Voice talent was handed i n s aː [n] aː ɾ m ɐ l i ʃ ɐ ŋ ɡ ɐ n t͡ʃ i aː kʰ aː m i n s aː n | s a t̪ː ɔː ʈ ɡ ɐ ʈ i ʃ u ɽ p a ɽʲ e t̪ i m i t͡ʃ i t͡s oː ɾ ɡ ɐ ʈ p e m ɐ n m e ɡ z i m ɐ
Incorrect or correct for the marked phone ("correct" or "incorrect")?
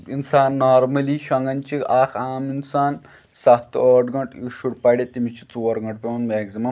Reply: incorrect